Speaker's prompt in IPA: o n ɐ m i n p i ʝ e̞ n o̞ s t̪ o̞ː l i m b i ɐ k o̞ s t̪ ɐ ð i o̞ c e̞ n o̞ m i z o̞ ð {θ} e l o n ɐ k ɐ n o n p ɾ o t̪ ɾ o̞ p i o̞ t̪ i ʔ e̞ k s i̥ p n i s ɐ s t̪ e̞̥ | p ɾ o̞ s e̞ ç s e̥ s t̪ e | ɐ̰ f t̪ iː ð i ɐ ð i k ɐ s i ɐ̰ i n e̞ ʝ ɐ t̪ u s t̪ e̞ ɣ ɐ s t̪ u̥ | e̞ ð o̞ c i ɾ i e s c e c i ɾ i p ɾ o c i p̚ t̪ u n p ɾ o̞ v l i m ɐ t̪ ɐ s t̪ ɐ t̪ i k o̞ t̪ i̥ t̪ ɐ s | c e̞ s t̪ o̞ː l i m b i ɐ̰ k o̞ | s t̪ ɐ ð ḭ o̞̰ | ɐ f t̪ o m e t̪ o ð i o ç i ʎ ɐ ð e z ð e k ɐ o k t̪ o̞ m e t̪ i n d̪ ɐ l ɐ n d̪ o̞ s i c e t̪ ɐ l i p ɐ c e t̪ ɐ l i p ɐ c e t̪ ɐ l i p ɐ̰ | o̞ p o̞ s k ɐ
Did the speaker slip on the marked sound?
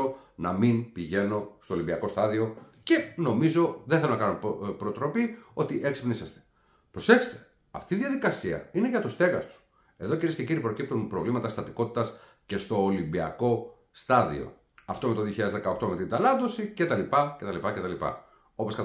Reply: no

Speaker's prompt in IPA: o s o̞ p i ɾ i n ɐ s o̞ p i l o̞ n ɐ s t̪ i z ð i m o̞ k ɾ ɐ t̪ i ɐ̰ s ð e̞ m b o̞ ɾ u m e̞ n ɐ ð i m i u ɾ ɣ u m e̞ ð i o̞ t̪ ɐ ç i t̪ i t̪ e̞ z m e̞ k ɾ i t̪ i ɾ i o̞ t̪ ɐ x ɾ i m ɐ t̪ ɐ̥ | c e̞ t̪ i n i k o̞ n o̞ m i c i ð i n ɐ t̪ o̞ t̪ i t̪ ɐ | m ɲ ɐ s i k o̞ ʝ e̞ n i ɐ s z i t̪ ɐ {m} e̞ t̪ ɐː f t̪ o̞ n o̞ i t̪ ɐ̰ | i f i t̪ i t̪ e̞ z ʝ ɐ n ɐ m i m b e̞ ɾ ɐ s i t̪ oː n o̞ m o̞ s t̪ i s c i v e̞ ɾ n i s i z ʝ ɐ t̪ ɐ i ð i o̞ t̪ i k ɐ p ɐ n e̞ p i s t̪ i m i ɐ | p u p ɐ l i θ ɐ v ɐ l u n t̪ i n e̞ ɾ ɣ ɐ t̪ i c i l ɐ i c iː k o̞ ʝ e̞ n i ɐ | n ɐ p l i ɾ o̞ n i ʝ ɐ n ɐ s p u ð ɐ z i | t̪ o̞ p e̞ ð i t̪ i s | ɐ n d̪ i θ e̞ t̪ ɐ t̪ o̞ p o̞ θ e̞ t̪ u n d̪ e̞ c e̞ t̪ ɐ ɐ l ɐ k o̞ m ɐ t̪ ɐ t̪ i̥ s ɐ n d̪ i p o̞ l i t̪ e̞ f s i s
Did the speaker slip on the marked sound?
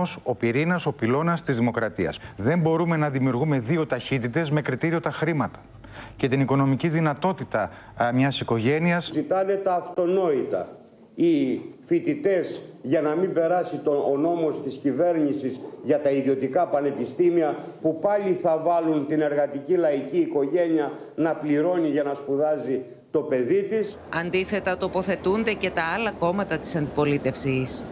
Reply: yes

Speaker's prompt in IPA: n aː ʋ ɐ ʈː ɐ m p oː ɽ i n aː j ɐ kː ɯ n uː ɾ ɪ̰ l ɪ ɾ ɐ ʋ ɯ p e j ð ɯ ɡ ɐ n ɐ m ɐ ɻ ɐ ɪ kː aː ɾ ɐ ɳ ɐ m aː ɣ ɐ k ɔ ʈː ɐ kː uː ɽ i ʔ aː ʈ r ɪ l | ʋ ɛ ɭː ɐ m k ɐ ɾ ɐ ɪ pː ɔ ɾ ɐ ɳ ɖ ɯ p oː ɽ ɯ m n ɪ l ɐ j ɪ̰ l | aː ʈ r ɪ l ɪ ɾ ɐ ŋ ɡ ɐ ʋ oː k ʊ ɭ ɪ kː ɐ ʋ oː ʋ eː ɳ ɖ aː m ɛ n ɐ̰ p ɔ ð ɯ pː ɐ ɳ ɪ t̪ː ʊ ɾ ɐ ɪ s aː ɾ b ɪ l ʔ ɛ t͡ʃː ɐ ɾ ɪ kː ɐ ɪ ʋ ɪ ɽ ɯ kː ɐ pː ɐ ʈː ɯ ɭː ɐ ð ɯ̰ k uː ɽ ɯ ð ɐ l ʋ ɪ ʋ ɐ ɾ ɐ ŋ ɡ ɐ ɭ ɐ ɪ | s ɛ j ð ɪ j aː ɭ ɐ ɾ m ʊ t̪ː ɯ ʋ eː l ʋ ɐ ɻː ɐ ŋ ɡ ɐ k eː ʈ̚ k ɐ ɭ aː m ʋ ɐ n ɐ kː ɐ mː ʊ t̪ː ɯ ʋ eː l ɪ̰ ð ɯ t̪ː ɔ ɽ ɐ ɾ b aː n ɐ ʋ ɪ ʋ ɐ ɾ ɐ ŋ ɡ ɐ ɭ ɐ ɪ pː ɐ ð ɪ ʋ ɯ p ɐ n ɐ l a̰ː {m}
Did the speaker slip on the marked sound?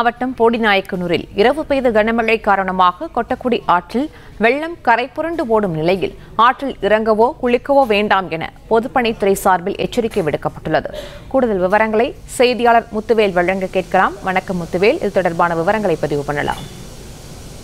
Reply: no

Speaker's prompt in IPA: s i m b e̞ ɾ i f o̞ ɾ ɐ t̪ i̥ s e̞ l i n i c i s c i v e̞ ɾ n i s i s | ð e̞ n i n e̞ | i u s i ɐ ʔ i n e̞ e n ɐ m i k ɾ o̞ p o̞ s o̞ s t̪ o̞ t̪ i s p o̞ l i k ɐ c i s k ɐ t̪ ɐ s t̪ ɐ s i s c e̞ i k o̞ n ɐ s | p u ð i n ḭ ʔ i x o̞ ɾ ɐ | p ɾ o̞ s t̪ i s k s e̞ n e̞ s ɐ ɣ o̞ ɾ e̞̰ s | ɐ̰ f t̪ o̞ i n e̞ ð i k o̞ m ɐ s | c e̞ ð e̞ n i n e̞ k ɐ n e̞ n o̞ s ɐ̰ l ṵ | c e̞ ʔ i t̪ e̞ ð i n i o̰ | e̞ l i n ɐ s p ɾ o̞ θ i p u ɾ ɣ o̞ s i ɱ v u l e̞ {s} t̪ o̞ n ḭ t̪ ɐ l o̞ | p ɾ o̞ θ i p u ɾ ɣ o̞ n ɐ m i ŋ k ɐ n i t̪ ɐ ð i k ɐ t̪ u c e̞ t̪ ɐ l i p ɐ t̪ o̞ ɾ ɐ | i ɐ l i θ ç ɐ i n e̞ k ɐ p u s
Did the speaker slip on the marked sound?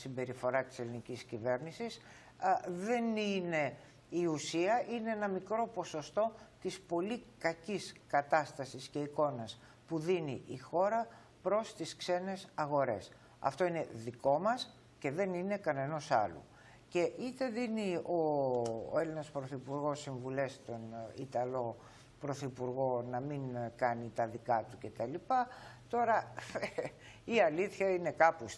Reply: no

